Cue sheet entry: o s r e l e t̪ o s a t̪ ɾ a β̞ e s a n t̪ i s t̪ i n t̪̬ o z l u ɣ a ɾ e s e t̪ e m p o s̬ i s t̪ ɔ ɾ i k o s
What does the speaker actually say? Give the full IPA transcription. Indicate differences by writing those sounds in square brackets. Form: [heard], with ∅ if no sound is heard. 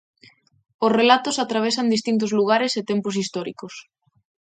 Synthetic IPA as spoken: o s r e l [a] t̪ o s a t̪ ɾ a β̞ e s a n [d̪] i s t̪ i n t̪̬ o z l u ɣ a ɾ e s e t̪ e m p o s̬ i s t̪ ɔ ɾ i k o s